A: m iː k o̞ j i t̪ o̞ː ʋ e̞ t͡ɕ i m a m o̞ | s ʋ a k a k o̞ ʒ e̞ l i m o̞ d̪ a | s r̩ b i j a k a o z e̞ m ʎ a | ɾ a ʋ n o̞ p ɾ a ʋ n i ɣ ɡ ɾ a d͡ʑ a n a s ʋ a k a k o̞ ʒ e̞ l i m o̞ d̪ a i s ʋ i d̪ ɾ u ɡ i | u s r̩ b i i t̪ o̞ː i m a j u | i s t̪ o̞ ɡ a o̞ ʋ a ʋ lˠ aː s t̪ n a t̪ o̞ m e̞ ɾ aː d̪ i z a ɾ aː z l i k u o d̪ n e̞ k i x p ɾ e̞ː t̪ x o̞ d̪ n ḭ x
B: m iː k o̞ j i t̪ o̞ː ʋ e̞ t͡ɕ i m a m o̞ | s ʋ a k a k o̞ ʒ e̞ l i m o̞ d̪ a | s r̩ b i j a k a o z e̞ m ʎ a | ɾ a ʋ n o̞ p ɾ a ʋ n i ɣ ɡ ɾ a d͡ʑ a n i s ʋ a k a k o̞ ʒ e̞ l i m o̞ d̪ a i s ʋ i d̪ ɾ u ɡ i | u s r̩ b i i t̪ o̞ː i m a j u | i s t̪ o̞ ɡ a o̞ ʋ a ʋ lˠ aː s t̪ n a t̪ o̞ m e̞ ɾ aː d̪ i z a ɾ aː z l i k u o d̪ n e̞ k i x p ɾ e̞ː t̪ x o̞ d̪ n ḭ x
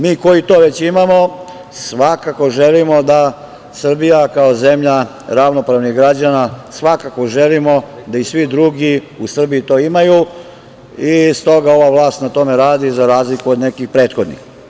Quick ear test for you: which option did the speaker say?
A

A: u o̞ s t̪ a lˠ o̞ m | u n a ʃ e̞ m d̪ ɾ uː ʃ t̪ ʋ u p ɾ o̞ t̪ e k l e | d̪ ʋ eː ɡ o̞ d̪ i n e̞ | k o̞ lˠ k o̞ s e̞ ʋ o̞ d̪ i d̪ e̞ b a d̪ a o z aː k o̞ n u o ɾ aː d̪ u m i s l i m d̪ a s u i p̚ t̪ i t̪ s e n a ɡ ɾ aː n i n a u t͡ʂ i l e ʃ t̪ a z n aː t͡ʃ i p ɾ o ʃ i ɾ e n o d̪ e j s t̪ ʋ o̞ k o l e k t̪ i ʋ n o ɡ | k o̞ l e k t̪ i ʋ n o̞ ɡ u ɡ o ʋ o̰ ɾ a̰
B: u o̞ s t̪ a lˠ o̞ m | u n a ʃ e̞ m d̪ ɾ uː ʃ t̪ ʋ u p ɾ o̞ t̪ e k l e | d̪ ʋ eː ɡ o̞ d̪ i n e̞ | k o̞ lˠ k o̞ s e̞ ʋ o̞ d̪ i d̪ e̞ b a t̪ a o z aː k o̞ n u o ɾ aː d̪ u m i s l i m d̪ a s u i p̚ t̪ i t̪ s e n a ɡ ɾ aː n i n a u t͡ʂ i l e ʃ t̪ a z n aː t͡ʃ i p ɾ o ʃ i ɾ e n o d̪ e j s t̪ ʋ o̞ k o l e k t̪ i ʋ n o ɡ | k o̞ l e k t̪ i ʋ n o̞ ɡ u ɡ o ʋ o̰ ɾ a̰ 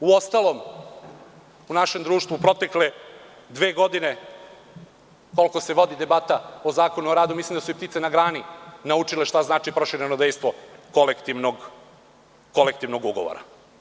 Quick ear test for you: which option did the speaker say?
B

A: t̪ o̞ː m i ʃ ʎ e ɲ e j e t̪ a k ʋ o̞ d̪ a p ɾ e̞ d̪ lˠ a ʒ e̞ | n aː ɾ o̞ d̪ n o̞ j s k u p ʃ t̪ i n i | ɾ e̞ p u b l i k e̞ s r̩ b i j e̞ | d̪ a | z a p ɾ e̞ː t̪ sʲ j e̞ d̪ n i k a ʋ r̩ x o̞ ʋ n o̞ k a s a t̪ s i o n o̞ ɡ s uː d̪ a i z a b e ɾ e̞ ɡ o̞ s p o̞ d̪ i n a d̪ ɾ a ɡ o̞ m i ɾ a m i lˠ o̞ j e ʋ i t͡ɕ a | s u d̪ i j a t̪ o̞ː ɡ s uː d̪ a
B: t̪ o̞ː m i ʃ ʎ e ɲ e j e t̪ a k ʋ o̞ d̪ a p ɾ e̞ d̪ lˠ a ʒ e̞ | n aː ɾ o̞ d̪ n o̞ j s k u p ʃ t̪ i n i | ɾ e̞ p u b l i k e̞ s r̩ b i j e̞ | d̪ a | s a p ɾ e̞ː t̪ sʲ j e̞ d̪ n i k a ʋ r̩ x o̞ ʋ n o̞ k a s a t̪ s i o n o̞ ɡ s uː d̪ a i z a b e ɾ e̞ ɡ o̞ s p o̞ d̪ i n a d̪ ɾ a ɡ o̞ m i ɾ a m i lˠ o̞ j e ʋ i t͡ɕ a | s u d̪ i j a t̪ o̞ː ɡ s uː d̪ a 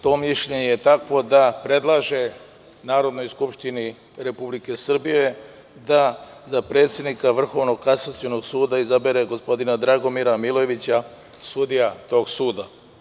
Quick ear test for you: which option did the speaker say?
A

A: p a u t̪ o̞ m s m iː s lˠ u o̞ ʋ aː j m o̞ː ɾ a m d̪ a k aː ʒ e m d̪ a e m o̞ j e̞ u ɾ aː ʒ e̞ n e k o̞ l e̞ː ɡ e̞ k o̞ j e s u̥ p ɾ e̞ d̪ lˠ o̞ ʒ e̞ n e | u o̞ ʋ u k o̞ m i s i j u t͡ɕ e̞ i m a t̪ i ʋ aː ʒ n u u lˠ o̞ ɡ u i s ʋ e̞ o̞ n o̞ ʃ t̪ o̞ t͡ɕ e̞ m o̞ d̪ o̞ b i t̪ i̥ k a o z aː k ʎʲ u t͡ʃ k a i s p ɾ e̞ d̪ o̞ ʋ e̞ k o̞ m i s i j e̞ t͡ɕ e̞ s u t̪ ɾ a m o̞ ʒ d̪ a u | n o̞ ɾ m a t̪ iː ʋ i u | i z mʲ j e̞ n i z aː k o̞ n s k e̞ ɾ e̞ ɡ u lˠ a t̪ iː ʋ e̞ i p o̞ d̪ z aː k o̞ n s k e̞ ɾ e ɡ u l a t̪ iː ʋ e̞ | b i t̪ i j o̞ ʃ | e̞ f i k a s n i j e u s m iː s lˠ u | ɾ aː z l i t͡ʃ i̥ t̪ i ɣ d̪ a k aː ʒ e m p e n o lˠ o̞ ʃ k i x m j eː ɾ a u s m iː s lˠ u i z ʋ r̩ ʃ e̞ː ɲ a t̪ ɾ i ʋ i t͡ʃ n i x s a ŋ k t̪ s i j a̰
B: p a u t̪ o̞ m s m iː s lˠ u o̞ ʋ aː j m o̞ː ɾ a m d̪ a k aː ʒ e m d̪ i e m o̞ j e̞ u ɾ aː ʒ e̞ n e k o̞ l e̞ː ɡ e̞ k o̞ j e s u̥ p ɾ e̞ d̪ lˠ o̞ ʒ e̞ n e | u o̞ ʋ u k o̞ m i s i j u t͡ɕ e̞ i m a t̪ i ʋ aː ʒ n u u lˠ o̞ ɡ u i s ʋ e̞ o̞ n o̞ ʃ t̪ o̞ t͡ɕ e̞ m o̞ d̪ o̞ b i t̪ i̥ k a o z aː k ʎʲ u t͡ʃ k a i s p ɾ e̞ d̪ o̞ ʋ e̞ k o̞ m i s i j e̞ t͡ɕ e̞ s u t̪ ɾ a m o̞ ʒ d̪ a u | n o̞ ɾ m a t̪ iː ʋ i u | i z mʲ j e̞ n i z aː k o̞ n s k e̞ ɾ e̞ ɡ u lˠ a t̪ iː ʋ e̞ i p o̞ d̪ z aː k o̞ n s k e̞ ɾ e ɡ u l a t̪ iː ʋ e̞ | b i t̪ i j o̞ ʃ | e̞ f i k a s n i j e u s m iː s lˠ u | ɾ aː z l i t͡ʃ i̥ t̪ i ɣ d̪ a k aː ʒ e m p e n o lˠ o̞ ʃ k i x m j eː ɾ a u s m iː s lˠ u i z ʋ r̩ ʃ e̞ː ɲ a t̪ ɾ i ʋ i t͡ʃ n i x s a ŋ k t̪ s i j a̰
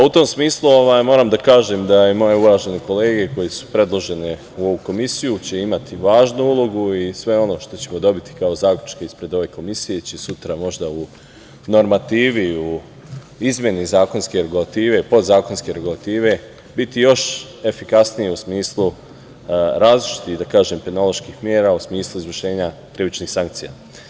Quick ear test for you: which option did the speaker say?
A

